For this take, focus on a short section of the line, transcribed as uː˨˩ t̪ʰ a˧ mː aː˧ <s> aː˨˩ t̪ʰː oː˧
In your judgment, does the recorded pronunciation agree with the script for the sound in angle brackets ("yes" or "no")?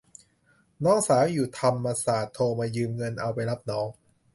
yes